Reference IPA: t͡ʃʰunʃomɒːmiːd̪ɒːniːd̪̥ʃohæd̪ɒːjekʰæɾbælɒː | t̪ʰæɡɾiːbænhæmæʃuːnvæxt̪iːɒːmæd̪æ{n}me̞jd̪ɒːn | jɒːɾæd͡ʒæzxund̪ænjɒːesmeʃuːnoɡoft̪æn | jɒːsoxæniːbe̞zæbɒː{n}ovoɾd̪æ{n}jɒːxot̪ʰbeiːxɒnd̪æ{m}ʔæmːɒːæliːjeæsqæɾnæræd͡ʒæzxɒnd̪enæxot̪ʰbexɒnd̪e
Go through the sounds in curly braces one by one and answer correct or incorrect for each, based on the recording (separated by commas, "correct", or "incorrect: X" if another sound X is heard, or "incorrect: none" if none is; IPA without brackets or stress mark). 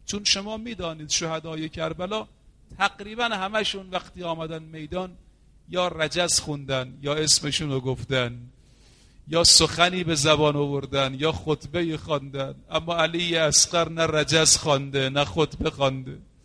correct, correct, correct, incorrect: n